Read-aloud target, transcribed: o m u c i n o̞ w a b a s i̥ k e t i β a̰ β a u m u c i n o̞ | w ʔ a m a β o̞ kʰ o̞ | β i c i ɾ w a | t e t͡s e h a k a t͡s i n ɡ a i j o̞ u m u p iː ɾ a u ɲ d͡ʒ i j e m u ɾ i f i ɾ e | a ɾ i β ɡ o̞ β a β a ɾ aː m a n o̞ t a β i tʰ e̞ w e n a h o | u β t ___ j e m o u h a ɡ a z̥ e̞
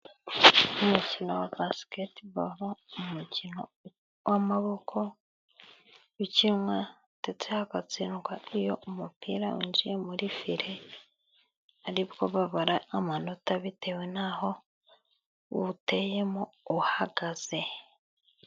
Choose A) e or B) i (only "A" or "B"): A